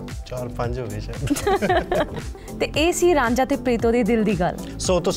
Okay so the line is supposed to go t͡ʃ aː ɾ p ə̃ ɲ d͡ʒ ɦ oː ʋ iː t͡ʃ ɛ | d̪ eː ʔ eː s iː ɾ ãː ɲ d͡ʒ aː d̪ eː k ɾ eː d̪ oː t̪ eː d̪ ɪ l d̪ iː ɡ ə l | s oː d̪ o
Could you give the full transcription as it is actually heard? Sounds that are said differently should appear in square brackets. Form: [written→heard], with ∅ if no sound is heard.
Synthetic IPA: t͡ʃ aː ɾ p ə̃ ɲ d͡ʒ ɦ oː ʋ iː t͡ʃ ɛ | [d̪→t̪] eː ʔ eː s iː ɾ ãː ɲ d͡ʒ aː [d̪→t̪] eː [k→p] ɾ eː [d̪→t̪] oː [t̪→d̪] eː d̪ ɪ l d̪ iː ɡ ə l | s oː [d̪→t̪] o